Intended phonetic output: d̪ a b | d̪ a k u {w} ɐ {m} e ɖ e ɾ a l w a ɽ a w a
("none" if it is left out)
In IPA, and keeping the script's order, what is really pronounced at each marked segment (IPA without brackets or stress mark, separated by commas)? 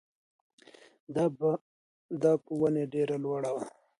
w, n